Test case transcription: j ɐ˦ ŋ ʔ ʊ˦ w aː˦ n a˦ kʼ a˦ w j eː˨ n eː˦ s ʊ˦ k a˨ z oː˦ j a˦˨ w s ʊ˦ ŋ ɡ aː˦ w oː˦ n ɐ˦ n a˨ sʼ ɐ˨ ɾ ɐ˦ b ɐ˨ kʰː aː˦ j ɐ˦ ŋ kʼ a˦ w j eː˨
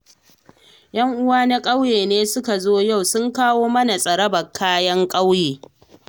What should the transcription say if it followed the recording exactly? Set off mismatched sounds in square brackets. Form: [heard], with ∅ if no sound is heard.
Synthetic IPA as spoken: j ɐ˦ ŋ ʔ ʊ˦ w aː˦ n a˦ kʼ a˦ w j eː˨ n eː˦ s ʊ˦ k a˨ z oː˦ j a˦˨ w s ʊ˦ ŋ [k] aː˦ w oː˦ [m] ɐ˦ n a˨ sʼ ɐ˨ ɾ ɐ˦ b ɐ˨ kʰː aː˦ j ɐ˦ ŋ kʼ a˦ w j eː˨